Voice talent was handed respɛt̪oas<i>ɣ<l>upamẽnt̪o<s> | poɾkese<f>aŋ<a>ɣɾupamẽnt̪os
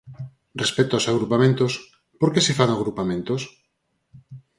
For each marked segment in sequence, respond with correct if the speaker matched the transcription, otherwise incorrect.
incorrect, incorrect, correct, correct, correct

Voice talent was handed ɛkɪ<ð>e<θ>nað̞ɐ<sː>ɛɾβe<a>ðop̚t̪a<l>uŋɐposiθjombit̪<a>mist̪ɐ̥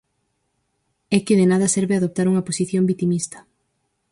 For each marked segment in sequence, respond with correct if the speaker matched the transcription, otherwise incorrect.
correct, incorrect, incorrect, correct, incorrect, incorrect

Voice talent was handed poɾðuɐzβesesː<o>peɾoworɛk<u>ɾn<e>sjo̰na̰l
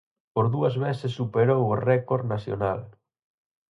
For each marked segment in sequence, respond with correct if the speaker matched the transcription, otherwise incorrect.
incorrect, incorrect, incorrect

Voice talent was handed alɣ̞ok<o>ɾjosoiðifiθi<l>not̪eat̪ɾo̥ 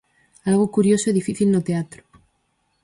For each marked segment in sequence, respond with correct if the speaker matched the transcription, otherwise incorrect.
incorrect, correct

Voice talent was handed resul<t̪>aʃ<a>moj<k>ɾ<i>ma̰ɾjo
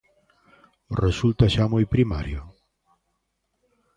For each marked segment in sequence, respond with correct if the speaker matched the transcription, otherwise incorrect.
correct, correct, incorrect, correct

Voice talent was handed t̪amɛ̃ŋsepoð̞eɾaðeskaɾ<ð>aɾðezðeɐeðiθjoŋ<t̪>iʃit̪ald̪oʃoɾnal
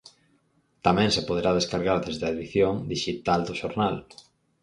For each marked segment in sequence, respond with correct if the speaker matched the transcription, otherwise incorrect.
incorrect, incorrect

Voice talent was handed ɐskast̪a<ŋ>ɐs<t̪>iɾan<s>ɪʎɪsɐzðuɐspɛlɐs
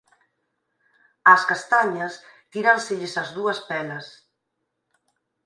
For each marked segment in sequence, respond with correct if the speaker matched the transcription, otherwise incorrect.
incorrect, correct, correct

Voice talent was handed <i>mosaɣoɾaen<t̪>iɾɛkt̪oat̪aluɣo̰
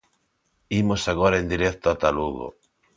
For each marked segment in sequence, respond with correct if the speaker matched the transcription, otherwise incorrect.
correct, incorrect

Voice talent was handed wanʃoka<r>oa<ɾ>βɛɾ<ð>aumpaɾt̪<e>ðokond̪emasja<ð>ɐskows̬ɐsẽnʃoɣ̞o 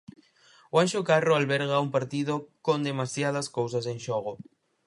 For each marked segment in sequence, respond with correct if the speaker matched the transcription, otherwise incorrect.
correct, incorrect, incorrect, incorrect, correct

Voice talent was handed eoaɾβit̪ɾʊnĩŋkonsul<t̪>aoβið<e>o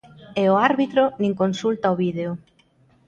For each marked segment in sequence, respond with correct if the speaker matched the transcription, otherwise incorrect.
correct, correct

